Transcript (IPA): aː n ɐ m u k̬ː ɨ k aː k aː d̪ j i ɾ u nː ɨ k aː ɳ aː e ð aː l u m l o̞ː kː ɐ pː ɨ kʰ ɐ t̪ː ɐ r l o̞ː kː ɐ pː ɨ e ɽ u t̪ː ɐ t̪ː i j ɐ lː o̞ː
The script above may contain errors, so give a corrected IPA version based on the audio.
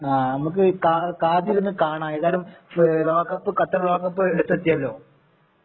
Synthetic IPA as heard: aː n ɐ m u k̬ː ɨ k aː k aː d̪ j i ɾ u nː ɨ k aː ɳ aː e ð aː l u m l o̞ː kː ɐ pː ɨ k ɐ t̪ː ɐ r l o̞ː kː ɐ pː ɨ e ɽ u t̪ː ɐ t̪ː i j ɐ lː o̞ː